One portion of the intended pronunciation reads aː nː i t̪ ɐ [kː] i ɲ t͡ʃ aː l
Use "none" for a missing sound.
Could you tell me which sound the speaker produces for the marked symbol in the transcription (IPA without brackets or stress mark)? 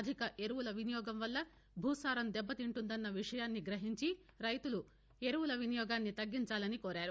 ɡː